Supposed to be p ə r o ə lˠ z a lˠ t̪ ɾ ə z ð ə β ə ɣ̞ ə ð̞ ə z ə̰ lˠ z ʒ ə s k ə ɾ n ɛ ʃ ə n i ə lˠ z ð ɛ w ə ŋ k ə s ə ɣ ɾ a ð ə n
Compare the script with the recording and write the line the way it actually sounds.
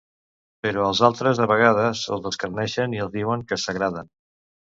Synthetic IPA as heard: p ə ɾ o ə lˠ z a lˠ t̪ ɾ ə z ð ə β ə ɣ̞ a ð̞ ə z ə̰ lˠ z ð ə s k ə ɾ n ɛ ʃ ə n i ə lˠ z ð i w ə ŋ k ə s ə ɣ ɾ a ð ə n